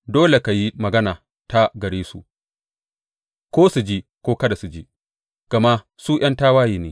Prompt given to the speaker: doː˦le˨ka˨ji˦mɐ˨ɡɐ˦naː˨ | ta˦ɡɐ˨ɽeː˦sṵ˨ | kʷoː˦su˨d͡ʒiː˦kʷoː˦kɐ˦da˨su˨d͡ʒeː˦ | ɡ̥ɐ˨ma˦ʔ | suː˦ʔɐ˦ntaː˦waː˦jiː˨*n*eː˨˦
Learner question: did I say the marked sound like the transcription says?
yes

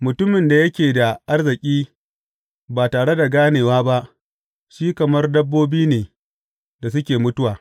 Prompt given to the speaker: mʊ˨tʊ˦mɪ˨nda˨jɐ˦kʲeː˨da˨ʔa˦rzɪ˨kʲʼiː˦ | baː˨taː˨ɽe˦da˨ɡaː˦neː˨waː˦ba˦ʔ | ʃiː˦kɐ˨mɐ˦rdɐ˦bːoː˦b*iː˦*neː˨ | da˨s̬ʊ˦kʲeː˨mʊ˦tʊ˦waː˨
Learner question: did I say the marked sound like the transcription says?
yes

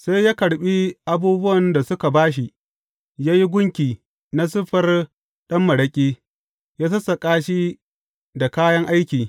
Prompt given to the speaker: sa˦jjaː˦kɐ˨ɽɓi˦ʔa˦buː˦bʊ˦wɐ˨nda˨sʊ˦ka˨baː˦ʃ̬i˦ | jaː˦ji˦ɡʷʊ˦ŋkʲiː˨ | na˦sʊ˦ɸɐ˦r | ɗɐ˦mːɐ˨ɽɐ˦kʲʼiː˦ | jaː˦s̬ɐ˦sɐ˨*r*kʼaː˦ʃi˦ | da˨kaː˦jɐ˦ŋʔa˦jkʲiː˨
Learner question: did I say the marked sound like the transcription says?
no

